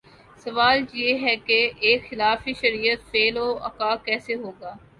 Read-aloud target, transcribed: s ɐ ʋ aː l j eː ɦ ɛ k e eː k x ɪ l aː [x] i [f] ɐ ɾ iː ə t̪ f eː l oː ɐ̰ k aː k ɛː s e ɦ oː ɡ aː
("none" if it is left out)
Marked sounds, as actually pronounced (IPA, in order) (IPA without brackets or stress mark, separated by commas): f, ʃ